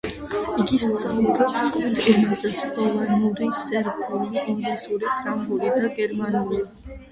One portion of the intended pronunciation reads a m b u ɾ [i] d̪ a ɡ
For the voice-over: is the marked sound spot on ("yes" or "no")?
yes